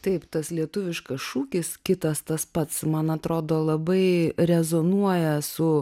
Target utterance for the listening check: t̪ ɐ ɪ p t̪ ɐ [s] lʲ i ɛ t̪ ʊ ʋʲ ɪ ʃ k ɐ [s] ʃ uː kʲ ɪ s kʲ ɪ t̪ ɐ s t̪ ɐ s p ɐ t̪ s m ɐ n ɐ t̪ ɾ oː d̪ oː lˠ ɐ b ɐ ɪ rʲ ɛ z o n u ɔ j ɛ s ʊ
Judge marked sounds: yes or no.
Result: yes, yes

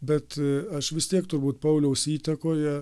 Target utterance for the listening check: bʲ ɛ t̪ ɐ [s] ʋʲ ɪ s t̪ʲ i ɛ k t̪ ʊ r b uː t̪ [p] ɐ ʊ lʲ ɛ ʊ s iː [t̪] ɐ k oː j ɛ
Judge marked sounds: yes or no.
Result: no, yes, yes

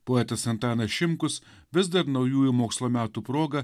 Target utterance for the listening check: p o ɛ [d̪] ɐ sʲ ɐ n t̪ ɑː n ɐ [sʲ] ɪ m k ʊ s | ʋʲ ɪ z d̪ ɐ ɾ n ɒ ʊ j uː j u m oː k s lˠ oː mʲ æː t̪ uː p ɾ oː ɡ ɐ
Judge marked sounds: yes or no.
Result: no, no

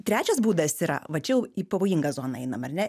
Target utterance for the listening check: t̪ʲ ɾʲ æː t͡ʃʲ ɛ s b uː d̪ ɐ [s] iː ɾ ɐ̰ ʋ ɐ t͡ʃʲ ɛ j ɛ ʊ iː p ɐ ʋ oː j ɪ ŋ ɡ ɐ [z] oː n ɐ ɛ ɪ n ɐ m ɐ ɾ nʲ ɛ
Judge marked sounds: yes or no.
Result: yes, yes

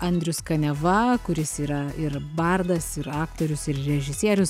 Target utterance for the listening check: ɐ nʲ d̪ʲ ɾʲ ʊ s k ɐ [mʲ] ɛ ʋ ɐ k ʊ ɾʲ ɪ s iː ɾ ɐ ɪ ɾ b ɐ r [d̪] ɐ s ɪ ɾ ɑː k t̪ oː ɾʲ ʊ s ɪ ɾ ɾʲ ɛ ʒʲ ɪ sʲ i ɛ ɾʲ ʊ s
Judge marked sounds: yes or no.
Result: no, yes

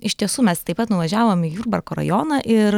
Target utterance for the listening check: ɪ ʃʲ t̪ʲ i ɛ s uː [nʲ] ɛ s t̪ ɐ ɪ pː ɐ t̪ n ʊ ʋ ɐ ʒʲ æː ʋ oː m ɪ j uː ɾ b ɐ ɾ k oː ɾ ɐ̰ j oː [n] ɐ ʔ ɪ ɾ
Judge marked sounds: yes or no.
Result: no, yes

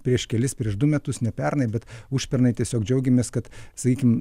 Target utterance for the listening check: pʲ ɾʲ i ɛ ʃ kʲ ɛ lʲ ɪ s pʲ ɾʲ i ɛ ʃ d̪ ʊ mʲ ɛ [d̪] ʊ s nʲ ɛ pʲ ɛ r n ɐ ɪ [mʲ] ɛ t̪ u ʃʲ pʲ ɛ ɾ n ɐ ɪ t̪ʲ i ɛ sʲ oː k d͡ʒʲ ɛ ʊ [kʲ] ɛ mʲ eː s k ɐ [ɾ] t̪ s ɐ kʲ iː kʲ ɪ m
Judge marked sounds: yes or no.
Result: no, no, no, no

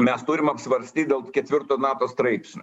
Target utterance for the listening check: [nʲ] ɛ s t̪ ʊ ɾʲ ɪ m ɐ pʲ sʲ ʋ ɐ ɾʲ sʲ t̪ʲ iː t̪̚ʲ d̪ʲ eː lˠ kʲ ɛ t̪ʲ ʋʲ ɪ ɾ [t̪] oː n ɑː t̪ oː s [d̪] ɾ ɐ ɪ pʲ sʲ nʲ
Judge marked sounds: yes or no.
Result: no, yes, no

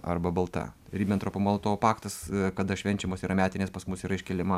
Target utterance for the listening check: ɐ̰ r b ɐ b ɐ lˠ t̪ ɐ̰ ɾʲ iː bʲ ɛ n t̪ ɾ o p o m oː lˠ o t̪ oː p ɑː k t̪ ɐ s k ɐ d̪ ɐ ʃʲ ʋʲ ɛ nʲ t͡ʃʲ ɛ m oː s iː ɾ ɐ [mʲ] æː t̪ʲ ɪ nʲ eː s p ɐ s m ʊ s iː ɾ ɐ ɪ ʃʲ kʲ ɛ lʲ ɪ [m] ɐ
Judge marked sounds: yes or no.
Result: yes, yes

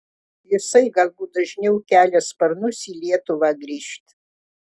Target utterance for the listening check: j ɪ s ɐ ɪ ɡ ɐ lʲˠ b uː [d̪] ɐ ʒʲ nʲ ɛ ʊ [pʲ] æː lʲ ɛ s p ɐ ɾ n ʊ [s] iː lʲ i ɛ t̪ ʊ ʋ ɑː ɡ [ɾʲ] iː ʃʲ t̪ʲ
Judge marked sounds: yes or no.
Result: yes, no, yes, yes

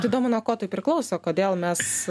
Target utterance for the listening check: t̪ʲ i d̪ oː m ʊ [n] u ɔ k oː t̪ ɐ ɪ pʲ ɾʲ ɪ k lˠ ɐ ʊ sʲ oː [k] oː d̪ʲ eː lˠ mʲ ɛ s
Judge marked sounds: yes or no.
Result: yes, yes

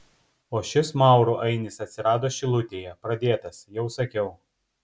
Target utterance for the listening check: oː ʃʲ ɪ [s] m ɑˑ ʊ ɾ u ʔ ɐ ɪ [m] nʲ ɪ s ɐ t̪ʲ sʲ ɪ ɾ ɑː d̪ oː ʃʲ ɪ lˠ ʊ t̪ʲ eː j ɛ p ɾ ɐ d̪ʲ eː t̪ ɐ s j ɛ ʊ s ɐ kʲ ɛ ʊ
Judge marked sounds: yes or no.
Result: yes, no

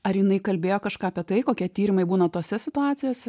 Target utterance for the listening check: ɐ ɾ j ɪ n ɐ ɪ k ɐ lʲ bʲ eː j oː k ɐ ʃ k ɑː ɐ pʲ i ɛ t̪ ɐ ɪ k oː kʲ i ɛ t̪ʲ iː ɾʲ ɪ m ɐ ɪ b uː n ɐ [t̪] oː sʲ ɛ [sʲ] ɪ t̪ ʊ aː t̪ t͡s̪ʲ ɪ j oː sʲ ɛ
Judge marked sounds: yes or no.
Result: yes, yes

